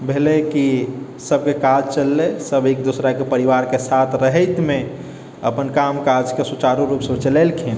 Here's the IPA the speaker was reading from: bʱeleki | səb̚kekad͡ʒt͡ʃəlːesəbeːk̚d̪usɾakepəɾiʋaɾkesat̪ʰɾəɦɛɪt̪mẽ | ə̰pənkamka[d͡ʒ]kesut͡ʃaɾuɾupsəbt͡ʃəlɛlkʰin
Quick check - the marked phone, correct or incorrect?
correct